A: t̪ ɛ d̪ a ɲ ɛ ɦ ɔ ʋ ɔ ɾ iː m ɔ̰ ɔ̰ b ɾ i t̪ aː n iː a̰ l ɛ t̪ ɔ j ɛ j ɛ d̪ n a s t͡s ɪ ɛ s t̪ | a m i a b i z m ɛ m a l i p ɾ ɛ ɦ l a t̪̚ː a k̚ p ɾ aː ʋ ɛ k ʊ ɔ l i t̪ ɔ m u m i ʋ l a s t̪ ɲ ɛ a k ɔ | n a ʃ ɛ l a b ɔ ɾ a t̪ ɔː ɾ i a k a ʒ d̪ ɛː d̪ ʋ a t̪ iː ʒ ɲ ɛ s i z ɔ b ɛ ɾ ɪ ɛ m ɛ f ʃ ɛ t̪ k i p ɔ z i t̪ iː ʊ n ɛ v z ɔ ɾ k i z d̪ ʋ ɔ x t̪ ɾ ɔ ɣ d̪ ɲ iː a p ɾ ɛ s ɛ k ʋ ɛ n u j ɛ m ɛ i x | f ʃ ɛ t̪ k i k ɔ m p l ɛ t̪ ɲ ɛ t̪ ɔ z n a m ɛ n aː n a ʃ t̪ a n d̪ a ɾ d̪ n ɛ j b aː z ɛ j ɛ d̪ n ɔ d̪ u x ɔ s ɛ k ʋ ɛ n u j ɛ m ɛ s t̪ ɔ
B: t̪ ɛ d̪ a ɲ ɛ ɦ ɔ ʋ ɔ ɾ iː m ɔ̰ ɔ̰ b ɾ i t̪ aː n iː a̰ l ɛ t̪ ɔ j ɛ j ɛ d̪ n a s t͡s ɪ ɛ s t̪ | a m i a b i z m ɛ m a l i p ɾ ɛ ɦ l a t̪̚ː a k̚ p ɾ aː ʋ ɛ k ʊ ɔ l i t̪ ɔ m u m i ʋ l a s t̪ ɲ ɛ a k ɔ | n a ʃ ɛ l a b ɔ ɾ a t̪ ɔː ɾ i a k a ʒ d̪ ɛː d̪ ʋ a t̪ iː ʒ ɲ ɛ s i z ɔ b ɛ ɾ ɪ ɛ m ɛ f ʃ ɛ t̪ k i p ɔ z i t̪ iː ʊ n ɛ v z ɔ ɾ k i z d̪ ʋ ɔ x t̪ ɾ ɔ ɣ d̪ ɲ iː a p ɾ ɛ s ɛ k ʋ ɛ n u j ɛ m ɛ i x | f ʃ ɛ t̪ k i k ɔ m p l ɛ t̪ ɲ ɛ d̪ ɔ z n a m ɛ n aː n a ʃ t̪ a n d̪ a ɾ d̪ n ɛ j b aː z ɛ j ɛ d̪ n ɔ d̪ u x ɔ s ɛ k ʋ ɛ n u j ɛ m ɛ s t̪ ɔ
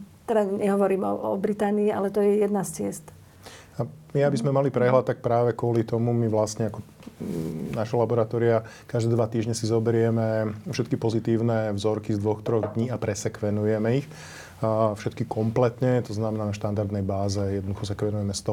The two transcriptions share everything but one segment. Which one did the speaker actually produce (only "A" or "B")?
A